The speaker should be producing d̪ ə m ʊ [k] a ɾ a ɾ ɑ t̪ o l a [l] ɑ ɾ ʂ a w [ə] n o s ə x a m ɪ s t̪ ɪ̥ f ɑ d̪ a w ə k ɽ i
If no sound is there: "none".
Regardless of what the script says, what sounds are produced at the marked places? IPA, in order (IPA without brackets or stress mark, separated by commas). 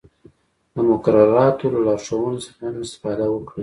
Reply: k, l, ə